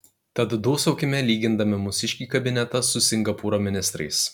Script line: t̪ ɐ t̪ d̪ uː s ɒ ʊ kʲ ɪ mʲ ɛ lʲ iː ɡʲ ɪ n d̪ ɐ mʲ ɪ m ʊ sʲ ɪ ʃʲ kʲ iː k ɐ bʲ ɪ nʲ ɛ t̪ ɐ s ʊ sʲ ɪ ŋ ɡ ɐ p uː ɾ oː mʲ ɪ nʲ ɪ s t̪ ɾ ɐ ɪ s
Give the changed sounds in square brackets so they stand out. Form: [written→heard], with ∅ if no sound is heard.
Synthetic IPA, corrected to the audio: t̪ ɐ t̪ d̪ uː s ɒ ʊ kʲ ɪ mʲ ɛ lʲ iː ɡʲ ɪ n d̪ ɐ mʲ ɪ m ʊ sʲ ɪ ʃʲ kʲ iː k ɐ bʲ ɪ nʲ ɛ t̪ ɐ s ʊ sʲ ɪ ŋ ɡ ɐ p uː ɾ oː mʲ ɪ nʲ ɪ s t̪ ɾ ɐ ɪ s